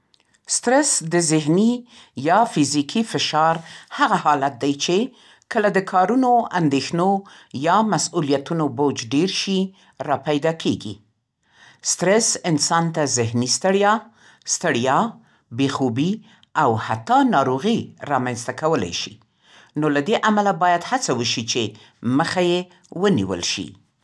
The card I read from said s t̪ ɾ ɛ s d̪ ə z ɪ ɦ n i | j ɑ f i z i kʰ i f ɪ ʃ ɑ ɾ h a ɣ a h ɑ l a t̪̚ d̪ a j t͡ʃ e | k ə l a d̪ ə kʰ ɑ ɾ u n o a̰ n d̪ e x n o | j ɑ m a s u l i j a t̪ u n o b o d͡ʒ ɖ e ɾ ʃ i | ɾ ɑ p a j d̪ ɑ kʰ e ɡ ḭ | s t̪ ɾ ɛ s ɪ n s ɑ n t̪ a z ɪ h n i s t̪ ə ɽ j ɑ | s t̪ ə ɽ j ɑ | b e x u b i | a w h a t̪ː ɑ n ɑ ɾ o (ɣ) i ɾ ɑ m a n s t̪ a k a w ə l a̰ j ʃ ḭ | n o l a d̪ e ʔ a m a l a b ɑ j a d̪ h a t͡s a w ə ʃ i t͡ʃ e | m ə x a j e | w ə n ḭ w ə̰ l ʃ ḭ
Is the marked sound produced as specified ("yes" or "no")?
yes